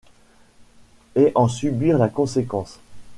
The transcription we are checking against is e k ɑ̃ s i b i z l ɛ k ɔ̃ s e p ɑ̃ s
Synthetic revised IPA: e ʔ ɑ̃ s y b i ʁ l a k ɔ̃ s e k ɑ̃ s